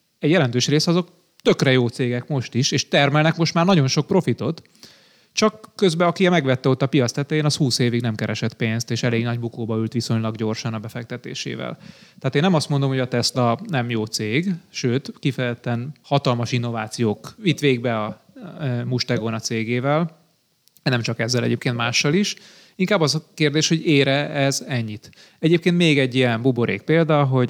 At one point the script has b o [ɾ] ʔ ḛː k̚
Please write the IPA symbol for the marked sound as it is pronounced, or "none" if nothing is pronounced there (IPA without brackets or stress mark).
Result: ɾ